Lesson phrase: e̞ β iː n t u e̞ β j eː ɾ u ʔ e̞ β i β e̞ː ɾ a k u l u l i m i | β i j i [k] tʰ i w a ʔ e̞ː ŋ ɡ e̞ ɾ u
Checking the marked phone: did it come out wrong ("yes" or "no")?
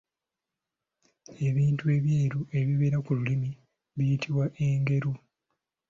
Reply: yes